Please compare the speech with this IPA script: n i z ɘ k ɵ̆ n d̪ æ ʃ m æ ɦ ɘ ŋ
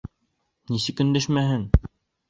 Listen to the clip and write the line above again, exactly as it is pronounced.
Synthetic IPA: n i s ɘ k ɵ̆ n d̪ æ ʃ m æ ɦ ɘ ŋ